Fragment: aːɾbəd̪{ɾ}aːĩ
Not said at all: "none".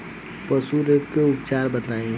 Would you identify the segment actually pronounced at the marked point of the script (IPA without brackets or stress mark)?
l